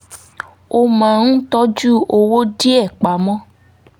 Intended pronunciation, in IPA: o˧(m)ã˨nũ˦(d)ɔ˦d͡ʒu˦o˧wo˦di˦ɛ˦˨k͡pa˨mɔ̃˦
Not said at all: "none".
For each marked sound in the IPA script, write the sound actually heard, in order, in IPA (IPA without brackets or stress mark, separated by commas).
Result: m, t